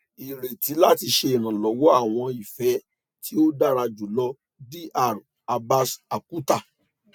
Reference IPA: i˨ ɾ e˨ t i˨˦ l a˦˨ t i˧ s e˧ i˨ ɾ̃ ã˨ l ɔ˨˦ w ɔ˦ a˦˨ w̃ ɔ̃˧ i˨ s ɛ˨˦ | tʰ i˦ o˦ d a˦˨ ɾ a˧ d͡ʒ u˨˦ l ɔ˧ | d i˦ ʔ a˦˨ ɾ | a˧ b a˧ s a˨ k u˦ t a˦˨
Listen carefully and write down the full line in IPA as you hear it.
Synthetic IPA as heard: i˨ ɾ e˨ t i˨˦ l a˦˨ t i˧ ʃ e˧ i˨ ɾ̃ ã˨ l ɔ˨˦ w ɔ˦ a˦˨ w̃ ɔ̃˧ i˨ f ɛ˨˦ | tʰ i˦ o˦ d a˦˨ ɾ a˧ d͡ʒ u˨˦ l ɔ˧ | d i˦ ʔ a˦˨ ɾ | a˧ b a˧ s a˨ k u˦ t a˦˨

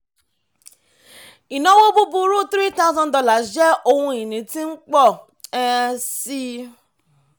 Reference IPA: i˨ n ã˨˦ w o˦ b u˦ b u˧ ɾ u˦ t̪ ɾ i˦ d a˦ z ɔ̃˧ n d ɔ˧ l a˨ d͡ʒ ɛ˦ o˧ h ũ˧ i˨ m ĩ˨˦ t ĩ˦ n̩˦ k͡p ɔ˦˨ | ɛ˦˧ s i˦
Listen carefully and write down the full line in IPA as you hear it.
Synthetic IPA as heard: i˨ n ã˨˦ w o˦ b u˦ b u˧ ɾ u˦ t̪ ɾ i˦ t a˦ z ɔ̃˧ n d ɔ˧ l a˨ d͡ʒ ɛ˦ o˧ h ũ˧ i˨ n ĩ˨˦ t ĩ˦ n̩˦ k͡p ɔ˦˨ | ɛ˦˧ s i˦

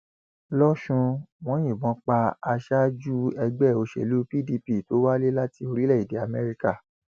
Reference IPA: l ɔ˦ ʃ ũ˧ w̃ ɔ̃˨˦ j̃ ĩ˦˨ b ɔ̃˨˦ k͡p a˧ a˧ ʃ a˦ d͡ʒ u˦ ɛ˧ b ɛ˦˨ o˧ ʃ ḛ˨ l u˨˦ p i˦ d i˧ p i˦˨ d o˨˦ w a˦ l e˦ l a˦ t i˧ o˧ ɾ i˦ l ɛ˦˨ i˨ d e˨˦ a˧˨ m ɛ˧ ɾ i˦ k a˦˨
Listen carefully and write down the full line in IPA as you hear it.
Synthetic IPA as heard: l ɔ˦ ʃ ũ˧ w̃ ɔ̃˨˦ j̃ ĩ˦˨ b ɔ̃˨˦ k͡p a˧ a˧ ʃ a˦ d͡ʒ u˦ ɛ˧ ɡ͡b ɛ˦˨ o˧ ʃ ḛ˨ l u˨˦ p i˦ d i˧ p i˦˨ t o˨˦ w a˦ l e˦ l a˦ t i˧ o˧ ɾ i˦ l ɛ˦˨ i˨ d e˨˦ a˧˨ m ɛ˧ ɾ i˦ k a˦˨

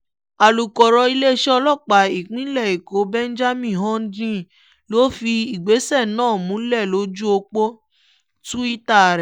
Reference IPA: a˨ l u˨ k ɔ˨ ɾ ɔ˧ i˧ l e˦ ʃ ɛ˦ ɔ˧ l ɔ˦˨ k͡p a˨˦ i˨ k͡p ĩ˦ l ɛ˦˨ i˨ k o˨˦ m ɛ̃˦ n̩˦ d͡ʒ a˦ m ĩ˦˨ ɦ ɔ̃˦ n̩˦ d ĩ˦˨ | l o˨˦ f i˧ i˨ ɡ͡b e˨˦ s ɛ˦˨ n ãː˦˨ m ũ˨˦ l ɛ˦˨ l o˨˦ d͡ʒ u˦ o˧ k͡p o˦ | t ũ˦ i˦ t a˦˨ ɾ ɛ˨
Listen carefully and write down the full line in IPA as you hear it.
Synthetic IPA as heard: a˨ l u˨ k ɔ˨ ɾ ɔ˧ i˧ l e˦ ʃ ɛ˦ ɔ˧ l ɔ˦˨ k͡p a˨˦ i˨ k͡p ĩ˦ l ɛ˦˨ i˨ k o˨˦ b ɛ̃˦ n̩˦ d͡ʒ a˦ m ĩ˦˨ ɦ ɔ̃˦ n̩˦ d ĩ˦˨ | l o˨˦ f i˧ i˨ ɡ͡b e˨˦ s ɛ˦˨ n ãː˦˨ m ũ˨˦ l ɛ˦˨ l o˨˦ d͡ʒ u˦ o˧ k͡p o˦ | t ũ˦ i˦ t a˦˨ ɾ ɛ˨

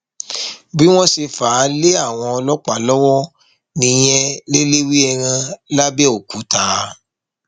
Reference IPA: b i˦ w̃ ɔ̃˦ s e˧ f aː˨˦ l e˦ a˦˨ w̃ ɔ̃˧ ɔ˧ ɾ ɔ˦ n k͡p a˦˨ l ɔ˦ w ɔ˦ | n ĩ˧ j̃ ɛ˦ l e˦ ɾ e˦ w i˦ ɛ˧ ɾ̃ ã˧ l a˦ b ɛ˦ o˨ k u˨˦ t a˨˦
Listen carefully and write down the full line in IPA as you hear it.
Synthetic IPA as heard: b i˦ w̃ ɔ̃˦ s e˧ f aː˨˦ l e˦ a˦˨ w̃ ɔ̃˧ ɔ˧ l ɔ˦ k͡p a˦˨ l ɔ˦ w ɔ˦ | n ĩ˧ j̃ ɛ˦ l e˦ l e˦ w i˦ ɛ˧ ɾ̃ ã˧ l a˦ b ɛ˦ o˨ k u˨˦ t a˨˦

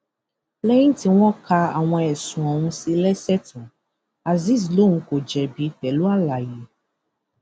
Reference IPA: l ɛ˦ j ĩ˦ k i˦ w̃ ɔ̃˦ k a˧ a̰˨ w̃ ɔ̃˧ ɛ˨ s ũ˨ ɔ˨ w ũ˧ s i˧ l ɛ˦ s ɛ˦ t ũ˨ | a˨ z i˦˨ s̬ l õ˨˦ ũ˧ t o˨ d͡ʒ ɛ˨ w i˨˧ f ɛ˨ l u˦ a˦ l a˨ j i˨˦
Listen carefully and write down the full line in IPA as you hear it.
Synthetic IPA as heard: l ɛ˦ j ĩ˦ t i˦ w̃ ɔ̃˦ k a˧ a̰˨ w̃ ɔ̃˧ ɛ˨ s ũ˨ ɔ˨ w ũ˧ s i˧ l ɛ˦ s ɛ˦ t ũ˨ | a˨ z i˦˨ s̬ l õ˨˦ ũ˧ k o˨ d͡ʒ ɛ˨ b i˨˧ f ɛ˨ l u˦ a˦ l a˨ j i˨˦

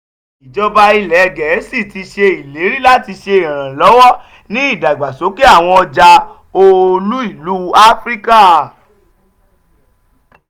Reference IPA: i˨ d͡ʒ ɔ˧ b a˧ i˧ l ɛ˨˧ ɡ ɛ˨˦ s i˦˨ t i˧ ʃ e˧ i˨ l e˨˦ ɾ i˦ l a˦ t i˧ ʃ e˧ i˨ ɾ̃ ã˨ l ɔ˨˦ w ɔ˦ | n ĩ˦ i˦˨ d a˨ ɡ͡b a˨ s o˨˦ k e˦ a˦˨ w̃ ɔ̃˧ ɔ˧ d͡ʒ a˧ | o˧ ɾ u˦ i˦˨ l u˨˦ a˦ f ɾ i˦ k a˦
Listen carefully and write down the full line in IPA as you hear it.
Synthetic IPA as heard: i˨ d͡ʒ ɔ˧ b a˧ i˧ l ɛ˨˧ ɡ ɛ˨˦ s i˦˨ t i˧ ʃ e˧ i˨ l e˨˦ ɾ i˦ l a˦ t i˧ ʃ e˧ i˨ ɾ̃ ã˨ l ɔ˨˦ w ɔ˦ | n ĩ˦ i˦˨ d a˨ ɡ͡b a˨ s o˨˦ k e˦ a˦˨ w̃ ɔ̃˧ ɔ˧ d͡ʒ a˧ | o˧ l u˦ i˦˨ l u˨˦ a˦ f ɾ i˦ k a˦

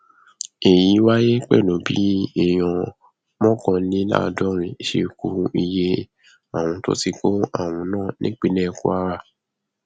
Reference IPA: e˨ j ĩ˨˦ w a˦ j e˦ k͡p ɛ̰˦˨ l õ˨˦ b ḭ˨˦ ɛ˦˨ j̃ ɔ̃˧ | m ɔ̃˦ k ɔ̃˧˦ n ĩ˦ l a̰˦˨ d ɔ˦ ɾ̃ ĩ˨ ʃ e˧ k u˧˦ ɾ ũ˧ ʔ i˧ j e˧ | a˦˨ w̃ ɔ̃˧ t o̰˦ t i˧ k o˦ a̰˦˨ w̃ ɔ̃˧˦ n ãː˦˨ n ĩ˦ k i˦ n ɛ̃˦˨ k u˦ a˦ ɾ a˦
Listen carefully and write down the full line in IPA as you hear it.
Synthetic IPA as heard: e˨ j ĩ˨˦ w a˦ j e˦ k͡p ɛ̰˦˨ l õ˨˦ b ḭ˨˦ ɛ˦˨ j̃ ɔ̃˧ | m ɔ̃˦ k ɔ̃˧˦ n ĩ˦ l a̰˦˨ d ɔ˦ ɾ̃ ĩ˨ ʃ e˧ k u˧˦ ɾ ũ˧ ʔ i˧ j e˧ | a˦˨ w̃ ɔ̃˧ t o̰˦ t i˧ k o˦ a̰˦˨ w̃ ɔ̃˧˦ n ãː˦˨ n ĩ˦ k͡p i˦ n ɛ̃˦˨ k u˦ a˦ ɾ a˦

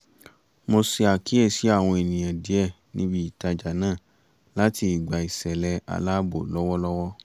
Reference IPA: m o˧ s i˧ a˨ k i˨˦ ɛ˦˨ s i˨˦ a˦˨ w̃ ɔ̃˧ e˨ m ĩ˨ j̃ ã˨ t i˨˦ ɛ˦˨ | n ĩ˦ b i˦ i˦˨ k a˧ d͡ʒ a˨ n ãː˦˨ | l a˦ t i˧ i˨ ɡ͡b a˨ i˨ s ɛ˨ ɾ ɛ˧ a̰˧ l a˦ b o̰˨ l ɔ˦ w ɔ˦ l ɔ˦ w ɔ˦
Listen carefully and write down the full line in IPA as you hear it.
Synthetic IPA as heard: m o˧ s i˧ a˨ k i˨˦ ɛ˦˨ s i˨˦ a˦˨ w̃ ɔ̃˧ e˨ n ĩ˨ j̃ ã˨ d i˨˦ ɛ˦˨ | n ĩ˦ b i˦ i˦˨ t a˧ d͡ʒ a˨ n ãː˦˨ | l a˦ t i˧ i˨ ɡ͡b a˨ i˨ s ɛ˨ l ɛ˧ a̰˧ l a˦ b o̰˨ l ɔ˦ w ɔ˦ l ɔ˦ w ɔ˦

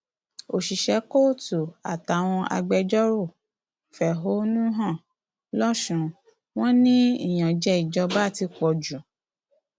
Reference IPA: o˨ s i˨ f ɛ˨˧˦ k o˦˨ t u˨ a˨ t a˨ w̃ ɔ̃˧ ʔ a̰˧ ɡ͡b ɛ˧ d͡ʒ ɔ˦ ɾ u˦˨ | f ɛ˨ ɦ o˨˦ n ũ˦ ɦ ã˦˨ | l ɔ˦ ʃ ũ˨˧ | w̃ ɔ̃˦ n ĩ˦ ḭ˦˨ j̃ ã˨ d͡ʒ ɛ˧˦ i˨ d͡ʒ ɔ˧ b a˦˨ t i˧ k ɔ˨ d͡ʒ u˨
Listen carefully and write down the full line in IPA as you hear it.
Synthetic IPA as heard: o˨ ʃ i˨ ʃ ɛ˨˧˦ k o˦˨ t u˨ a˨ t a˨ w̃ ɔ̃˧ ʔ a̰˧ ɡ͡b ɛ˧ d͡ʒ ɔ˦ ɾ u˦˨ | f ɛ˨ ɦ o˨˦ n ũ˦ ɦ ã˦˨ | l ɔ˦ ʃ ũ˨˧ | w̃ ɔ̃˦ n ĩ˦ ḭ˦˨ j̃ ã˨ d͡ʒ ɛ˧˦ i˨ d͡ʒ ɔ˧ b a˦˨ t i˧ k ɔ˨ d͡ʒ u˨

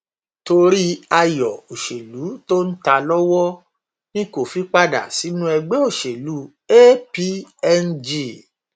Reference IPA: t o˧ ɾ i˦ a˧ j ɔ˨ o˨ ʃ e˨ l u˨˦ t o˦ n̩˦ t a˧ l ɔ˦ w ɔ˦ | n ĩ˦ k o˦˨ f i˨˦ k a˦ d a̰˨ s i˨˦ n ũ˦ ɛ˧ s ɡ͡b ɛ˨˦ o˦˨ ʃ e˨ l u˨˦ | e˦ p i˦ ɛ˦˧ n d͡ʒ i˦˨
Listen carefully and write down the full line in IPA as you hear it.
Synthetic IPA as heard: t o˧ ɾ i˦ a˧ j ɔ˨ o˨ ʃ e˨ l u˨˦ t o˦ n̩˦ t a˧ l ɔ˦ w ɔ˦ | n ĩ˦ k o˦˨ f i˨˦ k͡p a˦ d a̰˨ s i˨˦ n ũ˦ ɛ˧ ɡ͡b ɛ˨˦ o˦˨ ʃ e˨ l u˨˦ | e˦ p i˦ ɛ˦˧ n d͡ʒ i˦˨

